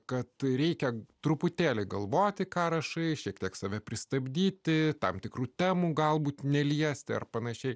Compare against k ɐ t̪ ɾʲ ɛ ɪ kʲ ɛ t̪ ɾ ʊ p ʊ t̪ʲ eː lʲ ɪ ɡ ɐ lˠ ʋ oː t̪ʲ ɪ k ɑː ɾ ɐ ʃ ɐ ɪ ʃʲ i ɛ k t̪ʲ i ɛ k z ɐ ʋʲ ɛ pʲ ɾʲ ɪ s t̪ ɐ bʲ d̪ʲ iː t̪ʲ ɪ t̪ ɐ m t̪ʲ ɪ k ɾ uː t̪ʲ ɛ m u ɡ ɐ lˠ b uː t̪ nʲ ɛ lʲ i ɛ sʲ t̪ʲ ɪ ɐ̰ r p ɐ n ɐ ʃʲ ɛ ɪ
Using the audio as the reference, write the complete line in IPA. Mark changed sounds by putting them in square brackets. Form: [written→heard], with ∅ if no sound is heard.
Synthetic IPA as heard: k ɐ t̪ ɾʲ ɛ ɪ kʲ ɛ t̪ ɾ ʊ p ʊ t̪ʲ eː lʲ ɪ ɡ ɐ lˠ ʋ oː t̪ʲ ɪ k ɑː ɾ ɐ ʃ ɐ ɪ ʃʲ i ɛ k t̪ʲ i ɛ k [z→s] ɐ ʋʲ ɛ pʲ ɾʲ ɪ s t̪ ɐ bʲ d̪ʲ iː t̪ʲ ɪ t̪ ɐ m t̪ʲ ɪ k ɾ uː t̪ʲ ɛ m u ɡ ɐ lˠ b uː t̪ nʲ ɛ lʲ i ɛ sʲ t̪ʲ ɪ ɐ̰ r p ɐ n ɐ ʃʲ ɛ ɪ